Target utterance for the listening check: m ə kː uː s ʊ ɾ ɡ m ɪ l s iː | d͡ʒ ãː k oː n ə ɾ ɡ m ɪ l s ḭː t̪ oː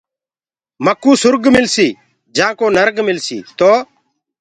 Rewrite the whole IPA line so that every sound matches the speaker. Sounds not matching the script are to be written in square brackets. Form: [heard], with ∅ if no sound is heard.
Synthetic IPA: m ə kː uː s ʊ ɾ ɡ m ɪ l s iː | d͡ʒ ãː k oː n ə ɾ ɡ m ɪ l s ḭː t̪ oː